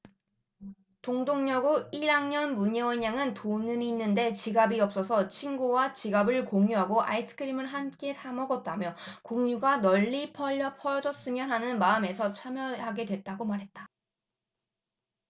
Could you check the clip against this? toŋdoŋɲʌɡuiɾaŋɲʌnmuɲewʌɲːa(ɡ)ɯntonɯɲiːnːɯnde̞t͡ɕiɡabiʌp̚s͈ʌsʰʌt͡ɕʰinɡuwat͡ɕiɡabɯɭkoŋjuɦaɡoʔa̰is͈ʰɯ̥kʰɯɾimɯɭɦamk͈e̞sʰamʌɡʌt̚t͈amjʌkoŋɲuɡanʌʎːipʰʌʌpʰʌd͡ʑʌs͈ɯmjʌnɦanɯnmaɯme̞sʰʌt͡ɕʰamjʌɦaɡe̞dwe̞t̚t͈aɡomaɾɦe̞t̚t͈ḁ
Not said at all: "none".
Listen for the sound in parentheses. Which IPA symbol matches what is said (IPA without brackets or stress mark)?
ŋ